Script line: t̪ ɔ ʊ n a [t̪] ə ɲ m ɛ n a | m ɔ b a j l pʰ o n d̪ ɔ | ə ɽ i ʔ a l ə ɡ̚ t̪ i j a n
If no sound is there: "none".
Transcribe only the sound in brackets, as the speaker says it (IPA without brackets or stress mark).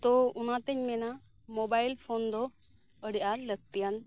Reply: t̪